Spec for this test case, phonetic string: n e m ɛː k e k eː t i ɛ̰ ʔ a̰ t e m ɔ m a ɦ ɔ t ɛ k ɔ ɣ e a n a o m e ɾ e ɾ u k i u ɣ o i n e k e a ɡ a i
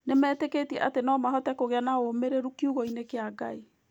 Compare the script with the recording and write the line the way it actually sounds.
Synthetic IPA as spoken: n e m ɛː t e k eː t i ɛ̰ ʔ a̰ t e n ɔ m a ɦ ɔ t ɛ k o ɣ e a n a o m e ɾ e ɾ u k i u ɣ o i n e k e a ɡ a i